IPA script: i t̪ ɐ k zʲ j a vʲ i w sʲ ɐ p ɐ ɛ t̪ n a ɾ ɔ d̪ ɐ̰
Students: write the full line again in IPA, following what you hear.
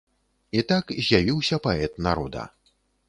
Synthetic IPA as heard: i t̪ a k zʲ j a vʲ i w sʲ ɐ p a ɛ t̪ n a ɾ ɔ d̪ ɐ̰